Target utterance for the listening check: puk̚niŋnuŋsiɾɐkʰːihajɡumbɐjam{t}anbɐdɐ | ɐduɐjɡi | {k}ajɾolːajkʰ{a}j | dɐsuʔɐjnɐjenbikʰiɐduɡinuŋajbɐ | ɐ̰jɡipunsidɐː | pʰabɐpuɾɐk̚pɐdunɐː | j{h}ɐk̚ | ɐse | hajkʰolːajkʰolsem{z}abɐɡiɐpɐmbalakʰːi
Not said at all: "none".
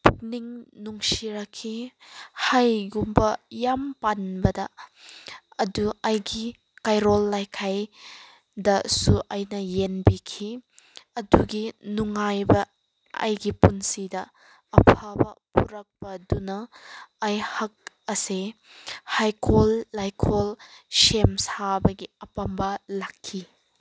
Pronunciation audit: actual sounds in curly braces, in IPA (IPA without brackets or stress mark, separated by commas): p, k, a, h, s